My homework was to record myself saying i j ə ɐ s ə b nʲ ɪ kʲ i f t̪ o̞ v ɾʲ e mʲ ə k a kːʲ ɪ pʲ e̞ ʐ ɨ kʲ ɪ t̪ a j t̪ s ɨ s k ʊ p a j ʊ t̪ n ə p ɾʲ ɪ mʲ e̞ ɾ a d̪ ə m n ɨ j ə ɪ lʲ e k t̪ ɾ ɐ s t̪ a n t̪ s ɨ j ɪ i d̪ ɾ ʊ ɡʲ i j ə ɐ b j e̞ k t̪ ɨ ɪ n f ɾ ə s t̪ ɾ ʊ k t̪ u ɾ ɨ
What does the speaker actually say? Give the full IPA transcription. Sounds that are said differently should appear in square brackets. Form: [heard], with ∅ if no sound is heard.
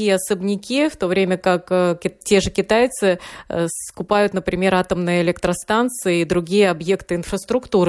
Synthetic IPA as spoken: i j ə ɐ s ə b nʲ ɪ kʲ i f t̪ o̞ v ɾʲ e mʲ ə k a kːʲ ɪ [tʲ] e̞ ʐ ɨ kʲ ɪ t̪ a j t̪ s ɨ s k ʊ p a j ʊ t̪ n ə p ɾʲ ɪ mʲ e̞ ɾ a [t̪] ə m n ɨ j ə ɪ lʲ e k t̪ ɾ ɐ s t̪ a n t̪ s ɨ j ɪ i d̪ ɾ ʊ ɡʲ i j ə ɐ b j e̞ k t̪ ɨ ɪ n f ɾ ə s t̪ ɾ ʊ k t̪ u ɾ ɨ